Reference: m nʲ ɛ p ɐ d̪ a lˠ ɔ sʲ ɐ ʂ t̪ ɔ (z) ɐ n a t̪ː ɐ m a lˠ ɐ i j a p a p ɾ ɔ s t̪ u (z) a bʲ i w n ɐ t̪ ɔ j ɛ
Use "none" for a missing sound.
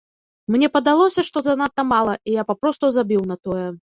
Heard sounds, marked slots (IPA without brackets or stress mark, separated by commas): z, z